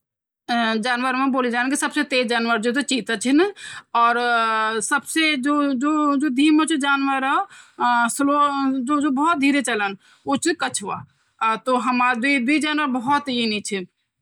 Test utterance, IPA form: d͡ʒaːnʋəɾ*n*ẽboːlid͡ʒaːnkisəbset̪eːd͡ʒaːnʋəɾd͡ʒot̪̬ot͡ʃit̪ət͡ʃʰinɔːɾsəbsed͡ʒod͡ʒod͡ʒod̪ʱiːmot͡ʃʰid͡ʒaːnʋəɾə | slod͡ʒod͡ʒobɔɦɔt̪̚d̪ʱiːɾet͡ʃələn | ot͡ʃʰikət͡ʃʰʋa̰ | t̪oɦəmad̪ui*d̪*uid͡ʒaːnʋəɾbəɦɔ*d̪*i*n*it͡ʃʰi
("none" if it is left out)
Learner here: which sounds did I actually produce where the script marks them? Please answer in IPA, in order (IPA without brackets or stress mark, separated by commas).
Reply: m, d̪, t̪, n